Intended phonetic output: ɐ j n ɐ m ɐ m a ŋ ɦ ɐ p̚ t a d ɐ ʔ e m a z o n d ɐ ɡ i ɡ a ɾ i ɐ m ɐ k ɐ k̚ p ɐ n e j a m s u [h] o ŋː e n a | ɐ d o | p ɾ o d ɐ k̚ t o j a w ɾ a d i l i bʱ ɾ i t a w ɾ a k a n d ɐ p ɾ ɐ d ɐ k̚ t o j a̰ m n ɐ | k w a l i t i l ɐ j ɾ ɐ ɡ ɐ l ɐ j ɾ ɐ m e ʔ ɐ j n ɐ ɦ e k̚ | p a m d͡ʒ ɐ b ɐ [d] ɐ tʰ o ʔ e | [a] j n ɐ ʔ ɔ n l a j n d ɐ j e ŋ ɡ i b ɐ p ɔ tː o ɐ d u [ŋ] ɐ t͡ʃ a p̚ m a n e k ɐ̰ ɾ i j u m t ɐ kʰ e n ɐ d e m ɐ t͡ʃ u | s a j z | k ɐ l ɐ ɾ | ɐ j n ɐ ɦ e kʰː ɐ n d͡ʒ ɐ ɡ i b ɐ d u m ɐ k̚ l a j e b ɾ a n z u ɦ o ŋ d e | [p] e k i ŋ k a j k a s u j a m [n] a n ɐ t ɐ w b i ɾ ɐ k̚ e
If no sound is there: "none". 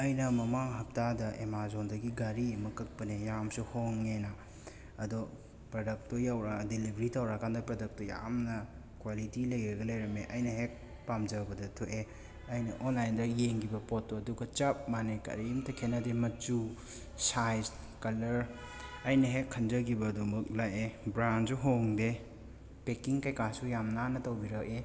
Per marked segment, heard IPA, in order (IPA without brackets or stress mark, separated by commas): h, d, ɐ, ɡ, p, n